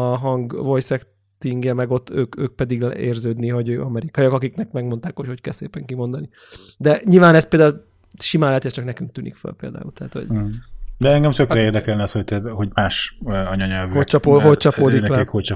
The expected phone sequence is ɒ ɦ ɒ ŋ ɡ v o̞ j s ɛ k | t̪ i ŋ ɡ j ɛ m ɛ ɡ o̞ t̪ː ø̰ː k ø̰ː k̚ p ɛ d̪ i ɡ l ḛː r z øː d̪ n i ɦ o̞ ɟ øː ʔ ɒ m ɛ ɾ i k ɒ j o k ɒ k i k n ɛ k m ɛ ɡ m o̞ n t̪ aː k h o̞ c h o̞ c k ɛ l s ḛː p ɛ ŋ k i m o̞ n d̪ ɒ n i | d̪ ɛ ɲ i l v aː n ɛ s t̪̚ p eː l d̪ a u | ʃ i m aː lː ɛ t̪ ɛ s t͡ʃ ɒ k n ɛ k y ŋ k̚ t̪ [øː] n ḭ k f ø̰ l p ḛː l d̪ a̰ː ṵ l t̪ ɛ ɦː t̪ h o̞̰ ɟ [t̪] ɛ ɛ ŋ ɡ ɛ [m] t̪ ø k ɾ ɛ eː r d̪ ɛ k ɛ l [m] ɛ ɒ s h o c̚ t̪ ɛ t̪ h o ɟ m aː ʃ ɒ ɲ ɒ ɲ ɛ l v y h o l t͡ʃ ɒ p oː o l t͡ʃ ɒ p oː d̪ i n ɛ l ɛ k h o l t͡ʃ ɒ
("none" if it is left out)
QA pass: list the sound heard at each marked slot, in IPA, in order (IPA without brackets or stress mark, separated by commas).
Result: yː, d̪, m, n